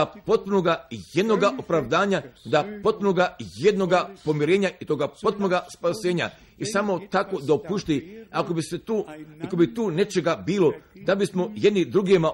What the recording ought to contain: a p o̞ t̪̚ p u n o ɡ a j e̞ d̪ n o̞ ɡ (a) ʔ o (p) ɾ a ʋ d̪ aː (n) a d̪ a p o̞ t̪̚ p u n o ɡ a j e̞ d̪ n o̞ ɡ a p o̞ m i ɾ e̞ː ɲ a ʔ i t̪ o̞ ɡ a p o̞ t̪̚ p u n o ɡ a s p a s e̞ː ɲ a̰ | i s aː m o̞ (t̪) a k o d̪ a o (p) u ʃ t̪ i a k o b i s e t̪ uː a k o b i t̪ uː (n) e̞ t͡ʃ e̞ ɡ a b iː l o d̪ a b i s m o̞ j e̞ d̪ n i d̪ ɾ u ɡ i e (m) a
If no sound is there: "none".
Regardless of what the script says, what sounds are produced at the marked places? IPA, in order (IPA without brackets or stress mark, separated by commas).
a, p, ɲ, t̪, p, n, m